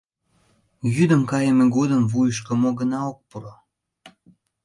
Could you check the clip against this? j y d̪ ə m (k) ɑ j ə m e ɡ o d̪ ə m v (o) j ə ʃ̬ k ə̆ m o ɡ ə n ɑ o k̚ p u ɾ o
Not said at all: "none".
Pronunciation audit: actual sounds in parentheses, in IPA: k, u

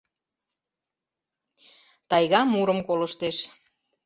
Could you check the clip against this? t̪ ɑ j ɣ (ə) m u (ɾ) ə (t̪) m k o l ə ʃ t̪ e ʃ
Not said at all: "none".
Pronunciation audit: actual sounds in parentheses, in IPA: ɑ, ɾ, none

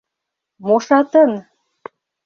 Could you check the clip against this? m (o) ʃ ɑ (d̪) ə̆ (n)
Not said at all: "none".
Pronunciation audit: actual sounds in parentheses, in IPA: o, t̪, n

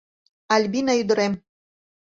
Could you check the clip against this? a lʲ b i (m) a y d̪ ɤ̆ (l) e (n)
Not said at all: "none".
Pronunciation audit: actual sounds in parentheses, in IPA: n, ɾ, m

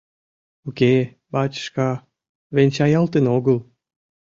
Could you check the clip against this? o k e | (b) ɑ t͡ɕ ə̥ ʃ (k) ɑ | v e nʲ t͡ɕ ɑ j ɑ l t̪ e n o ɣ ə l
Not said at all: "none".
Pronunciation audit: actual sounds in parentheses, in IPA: b, k

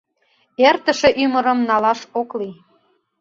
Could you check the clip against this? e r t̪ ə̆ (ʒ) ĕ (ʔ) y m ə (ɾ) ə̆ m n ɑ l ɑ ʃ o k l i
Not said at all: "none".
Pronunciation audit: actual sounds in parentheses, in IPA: ʃ, ʔ, ɾ

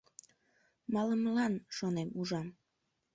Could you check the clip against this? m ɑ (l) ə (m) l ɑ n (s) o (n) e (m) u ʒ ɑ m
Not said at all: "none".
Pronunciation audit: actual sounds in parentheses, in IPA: l, m, ʃ, n, m

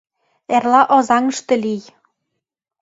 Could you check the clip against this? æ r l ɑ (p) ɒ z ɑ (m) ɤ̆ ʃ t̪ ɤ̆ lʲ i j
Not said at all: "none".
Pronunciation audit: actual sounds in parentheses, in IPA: ʔ, ŋ

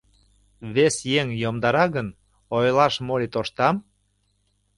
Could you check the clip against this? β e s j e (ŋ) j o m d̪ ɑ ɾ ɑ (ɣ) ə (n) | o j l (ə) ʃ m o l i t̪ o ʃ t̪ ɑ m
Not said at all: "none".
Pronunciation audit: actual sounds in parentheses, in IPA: ŋ, ɣ, n, ɑ

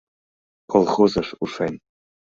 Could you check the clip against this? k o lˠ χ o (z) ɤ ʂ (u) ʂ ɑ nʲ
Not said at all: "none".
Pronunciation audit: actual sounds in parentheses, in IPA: z, u

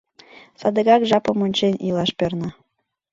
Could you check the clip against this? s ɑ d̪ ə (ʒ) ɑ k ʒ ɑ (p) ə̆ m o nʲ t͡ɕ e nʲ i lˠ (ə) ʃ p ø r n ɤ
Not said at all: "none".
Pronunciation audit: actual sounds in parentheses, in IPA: ɣ, p, ɑ

